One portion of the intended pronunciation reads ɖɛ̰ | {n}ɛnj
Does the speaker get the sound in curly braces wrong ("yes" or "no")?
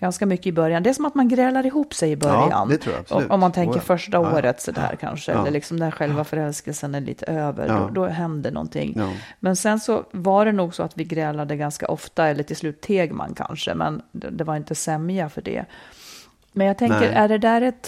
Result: yes